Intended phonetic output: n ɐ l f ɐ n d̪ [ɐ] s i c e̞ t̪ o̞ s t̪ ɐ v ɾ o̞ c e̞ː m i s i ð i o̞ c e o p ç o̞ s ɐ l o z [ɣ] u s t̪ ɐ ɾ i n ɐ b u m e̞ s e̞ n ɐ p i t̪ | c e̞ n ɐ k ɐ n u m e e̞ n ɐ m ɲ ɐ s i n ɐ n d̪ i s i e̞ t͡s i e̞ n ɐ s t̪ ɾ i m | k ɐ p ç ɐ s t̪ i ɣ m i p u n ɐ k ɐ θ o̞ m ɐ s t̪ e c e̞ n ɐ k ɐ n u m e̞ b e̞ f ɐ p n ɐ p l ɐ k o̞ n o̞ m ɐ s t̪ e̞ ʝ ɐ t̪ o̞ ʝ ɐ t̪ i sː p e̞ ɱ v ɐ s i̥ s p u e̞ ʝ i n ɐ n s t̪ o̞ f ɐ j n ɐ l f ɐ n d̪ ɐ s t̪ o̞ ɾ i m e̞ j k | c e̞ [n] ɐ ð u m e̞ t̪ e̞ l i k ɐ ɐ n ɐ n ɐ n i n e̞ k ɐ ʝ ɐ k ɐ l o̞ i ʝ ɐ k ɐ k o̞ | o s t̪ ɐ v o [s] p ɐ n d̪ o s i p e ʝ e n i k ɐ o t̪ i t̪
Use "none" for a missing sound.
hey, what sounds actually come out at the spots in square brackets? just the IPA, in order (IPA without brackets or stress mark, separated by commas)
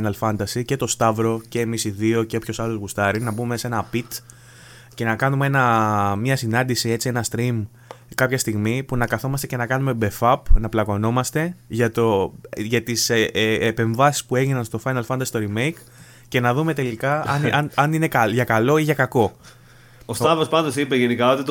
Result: ɐ, ɣ, n, s